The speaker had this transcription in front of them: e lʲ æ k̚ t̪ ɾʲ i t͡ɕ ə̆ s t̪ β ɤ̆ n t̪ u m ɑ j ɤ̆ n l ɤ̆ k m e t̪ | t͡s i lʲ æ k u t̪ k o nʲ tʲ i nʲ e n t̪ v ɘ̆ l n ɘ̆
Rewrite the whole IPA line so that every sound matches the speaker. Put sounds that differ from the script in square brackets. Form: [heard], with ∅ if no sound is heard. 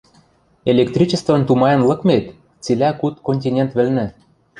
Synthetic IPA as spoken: e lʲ [e] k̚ t̪ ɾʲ i t͡ɕ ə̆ s t̪ [v] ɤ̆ n t̪ u m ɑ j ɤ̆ n l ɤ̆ k m e t̪ | t͡s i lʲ æ k u t̪ k o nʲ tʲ i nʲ e n t̪ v ɘ̆ l n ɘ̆